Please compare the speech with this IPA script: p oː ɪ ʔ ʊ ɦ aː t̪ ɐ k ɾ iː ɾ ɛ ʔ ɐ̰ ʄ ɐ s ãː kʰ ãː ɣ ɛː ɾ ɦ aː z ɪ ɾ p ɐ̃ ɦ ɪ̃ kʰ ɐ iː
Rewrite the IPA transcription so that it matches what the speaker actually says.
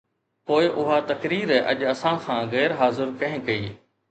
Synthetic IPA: p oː ɪ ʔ ʊ ɦ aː t̪ ɐ k ɾ iː ɾ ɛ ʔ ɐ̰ ʄ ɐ s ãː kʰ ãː ɣ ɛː ɾ ɦ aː z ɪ ɾ k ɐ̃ ɦ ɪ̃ k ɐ iː